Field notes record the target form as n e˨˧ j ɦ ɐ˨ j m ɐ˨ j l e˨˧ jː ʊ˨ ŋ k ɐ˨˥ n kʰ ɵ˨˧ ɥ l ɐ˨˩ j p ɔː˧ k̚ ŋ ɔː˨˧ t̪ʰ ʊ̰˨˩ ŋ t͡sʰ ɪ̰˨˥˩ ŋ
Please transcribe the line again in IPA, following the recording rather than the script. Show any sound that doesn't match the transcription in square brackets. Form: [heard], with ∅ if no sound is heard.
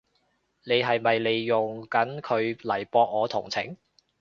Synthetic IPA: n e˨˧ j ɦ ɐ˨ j m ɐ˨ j l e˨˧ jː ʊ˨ ŋ k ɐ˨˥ n kʰ ɵ˨˧ ɥ l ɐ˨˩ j p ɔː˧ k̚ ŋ ɔː˨˧ t̪ʰ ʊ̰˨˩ ŋ t͡sʰ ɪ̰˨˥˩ ŋ